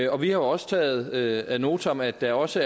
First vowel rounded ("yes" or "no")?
yes